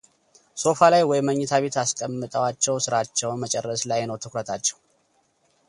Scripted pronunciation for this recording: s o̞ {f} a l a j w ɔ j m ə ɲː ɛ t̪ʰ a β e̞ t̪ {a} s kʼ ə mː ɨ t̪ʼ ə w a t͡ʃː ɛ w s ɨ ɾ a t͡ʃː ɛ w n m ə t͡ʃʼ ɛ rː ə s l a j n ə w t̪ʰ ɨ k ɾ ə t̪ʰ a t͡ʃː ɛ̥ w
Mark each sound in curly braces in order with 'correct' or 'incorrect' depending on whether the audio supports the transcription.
correct, correct

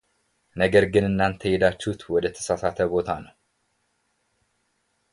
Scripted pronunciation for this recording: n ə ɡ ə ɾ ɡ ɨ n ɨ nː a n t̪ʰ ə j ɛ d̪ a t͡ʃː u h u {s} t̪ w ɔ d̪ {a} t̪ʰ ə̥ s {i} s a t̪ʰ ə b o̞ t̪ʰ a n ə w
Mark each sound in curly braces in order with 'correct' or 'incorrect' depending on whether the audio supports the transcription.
incorrect: none, incorrect: ə, incorrect: a

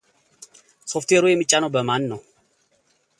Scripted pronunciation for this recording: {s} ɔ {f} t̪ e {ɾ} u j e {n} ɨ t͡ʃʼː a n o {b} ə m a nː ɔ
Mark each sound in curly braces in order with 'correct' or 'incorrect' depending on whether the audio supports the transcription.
correct, correct, correct, incorrect: m, correct

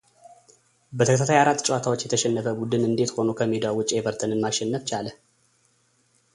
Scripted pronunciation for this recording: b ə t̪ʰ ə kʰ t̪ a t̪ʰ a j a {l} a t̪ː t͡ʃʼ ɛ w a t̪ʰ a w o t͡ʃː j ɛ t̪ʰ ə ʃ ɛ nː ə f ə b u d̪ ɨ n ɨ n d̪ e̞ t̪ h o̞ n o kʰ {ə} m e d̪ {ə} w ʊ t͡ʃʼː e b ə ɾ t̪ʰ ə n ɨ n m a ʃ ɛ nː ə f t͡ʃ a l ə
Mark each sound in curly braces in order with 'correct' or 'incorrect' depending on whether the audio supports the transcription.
incorrect: ɾ, correct, incorrect: a

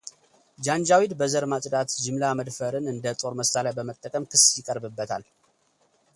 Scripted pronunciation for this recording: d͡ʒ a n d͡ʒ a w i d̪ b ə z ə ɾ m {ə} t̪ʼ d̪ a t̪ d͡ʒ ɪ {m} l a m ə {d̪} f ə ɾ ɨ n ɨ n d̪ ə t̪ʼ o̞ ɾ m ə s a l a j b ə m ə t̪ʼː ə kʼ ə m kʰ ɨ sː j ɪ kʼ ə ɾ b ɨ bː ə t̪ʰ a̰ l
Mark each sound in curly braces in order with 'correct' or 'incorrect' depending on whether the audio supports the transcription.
incorrect: a, correct, correct

